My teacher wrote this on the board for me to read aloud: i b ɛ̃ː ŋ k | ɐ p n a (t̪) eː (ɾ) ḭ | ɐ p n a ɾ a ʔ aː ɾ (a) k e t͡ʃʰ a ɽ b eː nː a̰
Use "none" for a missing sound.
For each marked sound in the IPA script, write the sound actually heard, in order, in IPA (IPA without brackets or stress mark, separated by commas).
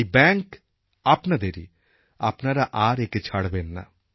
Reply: d̪, ɾ, e